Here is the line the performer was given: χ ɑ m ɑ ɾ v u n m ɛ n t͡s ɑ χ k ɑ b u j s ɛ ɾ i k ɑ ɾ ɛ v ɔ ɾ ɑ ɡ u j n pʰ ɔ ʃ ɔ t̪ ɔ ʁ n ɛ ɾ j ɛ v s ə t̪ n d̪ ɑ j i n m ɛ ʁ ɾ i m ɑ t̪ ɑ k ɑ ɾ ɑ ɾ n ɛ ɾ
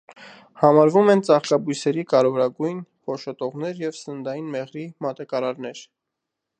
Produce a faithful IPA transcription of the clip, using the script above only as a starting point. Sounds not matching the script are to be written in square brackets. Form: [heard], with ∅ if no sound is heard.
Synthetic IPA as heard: [h] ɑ m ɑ ɾ v u [∅] m ɛ n t͡s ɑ χ k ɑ b u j s ɛ ɾ i k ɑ ɾ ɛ v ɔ ɾ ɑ ɡ u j n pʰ ɔ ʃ ɔ t̪ ɔ ʁ n ɛ ɾ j ɛ v s ə [∅] n d̪ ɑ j i n m ɛ ʁ ɾ i m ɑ t̪ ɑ k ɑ ɾ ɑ ɾ n ɛ ɾ